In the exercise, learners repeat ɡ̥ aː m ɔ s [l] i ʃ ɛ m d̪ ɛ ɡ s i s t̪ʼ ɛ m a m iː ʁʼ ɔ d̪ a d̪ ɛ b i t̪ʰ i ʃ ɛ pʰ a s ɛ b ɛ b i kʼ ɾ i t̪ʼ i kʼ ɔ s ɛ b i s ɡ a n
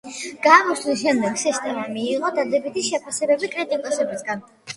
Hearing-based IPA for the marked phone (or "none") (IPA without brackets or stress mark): l